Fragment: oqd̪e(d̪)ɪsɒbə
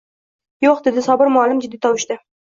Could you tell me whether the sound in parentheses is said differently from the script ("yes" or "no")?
no